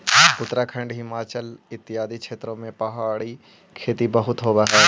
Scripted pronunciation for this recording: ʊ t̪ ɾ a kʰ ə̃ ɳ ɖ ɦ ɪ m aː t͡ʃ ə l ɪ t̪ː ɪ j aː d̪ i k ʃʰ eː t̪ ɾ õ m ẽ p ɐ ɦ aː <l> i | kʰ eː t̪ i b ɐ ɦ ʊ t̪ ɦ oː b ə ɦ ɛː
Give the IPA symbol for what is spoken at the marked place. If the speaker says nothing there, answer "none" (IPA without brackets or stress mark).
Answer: ɽ